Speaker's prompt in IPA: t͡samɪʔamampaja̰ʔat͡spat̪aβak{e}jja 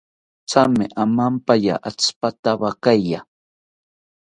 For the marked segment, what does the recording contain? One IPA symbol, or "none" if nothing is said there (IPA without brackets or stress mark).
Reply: a